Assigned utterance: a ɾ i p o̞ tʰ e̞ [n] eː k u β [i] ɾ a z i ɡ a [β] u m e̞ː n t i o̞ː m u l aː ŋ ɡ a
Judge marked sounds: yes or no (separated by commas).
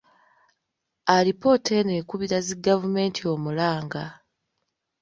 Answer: yes, yes, no